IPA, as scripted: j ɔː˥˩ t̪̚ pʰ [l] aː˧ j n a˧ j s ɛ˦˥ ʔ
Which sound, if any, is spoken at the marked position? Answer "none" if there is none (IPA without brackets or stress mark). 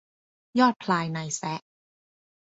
l